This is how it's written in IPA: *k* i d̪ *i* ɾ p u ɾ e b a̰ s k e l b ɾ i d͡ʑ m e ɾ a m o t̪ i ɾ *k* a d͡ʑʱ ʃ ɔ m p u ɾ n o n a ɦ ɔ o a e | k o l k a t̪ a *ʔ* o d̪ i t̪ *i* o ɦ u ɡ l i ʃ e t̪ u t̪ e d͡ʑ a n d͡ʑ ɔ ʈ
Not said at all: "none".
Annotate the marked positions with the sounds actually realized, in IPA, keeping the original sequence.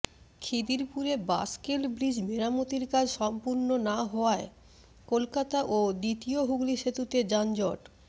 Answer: kʰ, i, k, ʔ, i

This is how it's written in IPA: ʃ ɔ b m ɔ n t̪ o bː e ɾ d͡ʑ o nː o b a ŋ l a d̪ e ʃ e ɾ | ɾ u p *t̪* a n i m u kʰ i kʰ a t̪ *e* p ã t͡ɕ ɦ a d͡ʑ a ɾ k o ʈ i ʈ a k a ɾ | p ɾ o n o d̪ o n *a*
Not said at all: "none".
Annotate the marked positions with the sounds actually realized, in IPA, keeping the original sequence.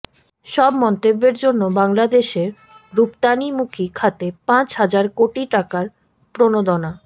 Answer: t̪, e, a

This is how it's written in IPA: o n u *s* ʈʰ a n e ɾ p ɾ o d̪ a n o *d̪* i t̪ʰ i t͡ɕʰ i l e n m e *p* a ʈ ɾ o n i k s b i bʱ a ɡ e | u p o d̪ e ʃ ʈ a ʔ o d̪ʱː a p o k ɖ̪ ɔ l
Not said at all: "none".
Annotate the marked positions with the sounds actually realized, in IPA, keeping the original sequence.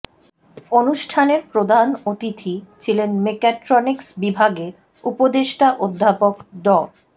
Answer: ʃ, t̪, k

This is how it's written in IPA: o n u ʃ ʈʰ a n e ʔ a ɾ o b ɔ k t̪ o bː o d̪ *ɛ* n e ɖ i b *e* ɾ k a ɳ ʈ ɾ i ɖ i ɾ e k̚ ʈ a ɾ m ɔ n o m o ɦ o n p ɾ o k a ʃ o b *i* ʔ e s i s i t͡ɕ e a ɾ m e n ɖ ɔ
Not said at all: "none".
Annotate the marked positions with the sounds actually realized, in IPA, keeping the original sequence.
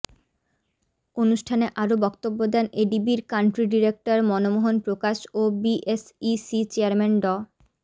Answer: ɛ, i, i

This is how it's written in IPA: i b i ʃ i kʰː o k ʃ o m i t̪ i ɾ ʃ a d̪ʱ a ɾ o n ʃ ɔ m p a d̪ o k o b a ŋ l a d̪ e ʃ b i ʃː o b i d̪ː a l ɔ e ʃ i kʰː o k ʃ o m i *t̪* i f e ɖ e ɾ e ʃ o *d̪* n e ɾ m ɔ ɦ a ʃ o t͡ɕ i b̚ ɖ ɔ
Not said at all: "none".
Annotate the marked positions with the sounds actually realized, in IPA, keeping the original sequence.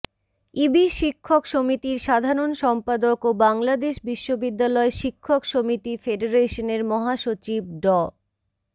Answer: t̪, none

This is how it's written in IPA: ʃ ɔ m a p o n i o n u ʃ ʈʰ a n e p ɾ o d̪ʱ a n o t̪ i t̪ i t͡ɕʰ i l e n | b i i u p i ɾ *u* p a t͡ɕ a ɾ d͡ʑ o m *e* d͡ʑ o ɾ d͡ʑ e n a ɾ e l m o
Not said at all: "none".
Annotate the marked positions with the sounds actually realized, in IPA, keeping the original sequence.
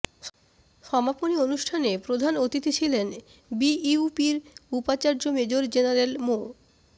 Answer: u, e

